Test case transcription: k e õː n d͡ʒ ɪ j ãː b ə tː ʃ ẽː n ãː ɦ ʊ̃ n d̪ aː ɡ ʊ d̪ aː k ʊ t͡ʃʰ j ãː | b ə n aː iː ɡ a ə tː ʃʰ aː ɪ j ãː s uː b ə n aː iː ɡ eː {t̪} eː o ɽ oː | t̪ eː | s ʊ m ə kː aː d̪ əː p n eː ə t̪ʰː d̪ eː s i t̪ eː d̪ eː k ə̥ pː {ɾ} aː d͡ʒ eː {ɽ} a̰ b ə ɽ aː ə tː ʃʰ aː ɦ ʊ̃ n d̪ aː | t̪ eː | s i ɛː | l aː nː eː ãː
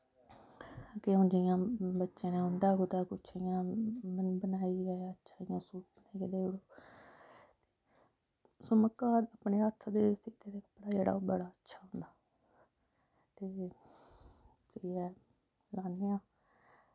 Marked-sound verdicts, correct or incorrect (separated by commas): incorrect, incorrect, correct